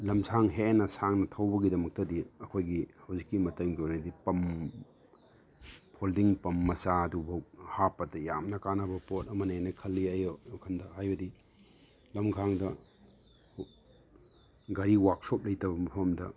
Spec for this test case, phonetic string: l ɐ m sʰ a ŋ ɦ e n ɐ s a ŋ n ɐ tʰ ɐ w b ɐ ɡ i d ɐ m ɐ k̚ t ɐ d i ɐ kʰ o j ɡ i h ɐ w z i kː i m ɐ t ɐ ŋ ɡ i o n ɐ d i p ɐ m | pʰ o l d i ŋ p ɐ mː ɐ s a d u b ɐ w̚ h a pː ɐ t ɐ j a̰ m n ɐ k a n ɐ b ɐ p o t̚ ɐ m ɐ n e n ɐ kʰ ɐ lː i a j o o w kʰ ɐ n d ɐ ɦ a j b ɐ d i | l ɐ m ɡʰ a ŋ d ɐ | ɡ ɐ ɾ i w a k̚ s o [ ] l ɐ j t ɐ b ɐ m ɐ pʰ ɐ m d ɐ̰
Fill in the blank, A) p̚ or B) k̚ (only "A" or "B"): A